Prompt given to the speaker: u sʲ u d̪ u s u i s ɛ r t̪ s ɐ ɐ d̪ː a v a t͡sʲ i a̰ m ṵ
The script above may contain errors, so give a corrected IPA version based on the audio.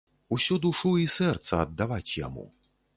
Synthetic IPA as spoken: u sʲ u d̪ u ʂ u i s ɛ r t̪ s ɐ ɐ d̪ː a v a t͡sʲ j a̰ m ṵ